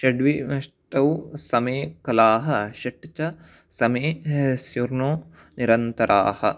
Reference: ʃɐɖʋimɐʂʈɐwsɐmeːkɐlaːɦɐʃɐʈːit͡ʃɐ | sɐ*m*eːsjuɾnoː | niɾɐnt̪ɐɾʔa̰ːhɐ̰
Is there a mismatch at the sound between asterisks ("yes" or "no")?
no